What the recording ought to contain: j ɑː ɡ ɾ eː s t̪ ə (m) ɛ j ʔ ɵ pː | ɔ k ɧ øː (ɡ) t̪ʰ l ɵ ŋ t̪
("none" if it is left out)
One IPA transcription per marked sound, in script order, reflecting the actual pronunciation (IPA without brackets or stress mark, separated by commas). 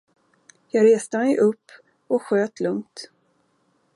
m, none